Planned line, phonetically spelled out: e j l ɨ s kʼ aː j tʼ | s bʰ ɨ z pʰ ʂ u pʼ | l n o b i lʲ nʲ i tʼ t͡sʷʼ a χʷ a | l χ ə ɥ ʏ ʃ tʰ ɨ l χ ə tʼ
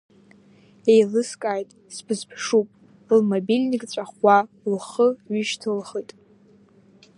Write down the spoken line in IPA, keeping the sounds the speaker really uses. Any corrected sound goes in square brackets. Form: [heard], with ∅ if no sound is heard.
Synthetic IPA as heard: e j l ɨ s kʼ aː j tʼ | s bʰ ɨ z pʰ ʂ u pʼ | l [m] o b i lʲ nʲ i [kʼ] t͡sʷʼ a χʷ a | l χ ə ɥ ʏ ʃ tʰ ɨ l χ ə tʼ